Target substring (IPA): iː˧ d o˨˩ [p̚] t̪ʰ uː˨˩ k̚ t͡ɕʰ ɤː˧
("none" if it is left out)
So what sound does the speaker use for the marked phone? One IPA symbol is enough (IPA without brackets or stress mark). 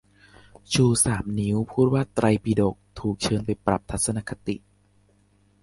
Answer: k̚